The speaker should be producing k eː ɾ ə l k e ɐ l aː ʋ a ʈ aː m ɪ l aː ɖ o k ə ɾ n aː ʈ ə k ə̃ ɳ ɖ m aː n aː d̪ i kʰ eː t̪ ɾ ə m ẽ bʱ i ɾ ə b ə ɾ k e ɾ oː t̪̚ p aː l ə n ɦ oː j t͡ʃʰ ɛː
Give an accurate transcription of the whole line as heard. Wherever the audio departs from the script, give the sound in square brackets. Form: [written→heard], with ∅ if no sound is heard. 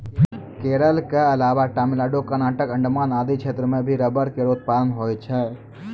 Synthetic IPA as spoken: k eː ɾ ə l k e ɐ l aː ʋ a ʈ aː m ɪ l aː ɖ o k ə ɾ n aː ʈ ə k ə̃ ɳ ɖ m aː n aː d̪ i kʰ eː t̪ ɾ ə m ẽ bʱ i ɾ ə b ə ɾ k e ɾ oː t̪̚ p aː l ə n ɦ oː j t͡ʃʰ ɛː